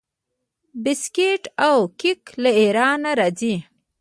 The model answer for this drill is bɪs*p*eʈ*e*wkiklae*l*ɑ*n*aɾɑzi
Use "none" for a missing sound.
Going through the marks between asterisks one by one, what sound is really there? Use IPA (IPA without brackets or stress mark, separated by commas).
k, a, ɾ, n